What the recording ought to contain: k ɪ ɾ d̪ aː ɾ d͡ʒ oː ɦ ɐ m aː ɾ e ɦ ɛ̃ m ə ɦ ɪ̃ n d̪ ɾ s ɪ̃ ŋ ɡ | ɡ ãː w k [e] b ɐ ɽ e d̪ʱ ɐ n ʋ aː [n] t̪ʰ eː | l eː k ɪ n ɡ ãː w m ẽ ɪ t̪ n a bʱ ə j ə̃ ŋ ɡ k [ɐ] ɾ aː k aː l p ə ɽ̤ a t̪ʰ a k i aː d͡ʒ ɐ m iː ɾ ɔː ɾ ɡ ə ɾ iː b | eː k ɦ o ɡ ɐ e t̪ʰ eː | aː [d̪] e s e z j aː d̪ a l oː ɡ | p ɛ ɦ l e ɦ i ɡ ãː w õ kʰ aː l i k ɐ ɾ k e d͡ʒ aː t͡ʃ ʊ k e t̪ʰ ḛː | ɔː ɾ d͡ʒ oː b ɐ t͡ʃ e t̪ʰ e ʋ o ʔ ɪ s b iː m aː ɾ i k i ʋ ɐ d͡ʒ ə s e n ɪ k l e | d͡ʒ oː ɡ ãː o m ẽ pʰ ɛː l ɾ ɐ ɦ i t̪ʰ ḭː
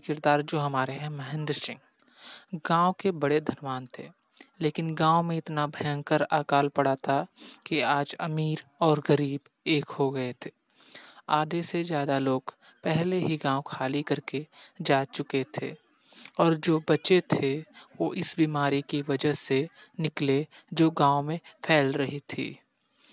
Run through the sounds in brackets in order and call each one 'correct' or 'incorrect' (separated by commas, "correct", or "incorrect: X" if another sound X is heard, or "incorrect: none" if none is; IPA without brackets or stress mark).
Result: correct, correct, incorrect: ə, correct